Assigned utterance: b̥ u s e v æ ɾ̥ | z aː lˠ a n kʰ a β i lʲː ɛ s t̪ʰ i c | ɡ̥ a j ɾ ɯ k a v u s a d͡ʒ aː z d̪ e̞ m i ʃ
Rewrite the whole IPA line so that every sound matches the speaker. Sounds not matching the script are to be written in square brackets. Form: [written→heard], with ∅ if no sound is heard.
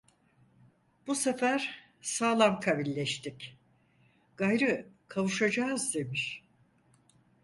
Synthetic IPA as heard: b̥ u s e [v→f] æ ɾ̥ | [z→s] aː lˠ a [n→m] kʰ a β i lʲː ɛ [s→ʃ] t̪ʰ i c | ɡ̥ a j ɾ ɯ [k→kʰ] a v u [s→ʃ] a d͡ʒ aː z d̪ e̞ m i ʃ

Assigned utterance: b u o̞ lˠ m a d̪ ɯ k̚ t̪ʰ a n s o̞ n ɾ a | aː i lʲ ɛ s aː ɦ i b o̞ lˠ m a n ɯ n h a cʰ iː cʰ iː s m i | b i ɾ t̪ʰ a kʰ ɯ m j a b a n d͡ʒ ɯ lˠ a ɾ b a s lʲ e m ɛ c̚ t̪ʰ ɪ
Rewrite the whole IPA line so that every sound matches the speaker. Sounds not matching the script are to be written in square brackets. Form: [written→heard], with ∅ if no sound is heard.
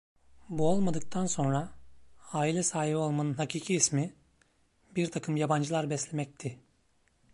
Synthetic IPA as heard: b u o̞ lˠ m a d̪ ɯ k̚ t̪ʰ a n s o̞ n ɾ a | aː i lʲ ɛ s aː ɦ i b o̞ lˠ m a n ɯ n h a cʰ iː cʰ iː s m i | b i ɾ t̪ʰ a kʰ ɯ m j a b a n d͡ʒ ɯ lˠ a ɾ b [a→ɛ] s lʲ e m ɛ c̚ t̪ʰ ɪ

